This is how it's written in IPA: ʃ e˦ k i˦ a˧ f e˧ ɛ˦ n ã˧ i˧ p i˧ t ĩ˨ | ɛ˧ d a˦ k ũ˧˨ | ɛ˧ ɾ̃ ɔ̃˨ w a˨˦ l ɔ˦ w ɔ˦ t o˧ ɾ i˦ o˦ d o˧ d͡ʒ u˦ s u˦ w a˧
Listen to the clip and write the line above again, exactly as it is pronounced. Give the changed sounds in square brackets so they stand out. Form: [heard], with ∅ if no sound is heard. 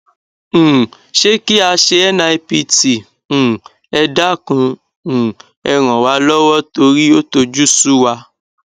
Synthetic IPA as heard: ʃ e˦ k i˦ a˧ [ʃ] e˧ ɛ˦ n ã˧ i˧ p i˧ t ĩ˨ | ɛ˧ d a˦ k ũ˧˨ | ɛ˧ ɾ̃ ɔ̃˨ w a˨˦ l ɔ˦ w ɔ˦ t o˧ ɾ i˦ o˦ [t] o˧ d͡ʒ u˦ s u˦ w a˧